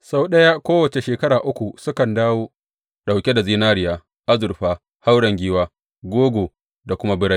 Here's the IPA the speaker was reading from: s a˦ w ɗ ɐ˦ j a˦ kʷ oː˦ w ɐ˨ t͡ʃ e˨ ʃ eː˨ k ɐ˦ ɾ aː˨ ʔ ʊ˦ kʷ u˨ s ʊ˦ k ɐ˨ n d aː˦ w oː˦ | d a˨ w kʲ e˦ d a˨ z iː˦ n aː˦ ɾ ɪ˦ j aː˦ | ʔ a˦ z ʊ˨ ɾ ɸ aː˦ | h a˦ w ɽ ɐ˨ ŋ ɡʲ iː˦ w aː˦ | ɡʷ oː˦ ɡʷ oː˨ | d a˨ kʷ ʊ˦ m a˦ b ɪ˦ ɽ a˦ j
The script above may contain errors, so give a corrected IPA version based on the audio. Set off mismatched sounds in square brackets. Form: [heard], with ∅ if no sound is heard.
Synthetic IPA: s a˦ w ɗ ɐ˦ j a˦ kʷ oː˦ w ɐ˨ t͡ʃ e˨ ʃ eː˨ k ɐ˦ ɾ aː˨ ʔ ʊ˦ kʷ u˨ s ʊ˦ k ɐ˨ n d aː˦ w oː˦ | [ɗ] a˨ w kʲ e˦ d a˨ z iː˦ n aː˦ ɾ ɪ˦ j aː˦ | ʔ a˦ z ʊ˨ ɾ ɸ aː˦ | h a˦ w ɽ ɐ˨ ŋ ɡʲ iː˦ w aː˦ | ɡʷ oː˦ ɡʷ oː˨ | d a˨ kʷ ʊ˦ m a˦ b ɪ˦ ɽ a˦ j